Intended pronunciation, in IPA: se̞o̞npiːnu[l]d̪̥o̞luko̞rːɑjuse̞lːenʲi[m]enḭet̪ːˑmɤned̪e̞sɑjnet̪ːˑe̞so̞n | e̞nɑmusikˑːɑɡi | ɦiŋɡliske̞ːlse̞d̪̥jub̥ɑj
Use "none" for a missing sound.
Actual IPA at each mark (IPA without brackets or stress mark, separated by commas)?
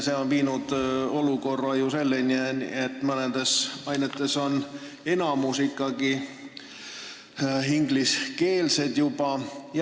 none, none